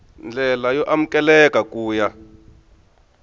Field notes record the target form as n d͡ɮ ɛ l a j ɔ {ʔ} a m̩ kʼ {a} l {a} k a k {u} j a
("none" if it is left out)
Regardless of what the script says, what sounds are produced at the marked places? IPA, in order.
ʔ, ɛ, ɛ, uː

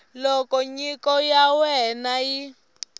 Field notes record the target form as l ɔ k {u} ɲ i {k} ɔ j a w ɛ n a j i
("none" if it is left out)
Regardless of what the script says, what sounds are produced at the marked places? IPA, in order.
ɔ, k

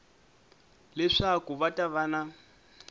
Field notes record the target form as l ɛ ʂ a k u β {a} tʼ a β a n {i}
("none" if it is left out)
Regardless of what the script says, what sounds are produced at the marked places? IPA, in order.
a, a

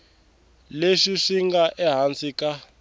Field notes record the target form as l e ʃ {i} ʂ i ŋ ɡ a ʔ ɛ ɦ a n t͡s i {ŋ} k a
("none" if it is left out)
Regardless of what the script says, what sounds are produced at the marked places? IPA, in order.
i, none

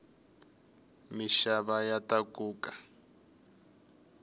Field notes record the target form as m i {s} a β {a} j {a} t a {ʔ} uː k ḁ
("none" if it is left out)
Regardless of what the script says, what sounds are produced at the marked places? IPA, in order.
ʃ, a, a, k

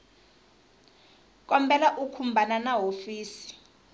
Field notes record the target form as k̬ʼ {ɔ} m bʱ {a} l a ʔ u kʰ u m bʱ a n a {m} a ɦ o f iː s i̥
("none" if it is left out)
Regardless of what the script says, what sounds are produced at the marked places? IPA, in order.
ɔ, ɛ, n

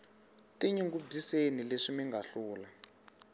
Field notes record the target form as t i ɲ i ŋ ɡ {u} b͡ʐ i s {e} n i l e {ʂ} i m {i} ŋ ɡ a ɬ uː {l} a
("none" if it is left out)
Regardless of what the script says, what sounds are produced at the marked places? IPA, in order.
u, e, ʂ, i, l

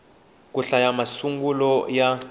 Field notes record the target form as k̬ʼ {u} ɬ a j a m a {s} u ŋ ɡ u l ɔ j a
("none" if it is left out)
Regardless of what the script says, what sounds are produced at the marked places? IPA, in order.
u, s

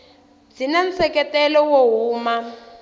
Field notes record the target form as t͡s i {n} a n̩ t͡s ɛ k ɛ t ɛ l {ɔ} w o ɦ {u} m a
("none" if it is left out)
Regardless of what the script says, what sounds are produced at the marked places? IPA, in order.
n, ɔ, uː

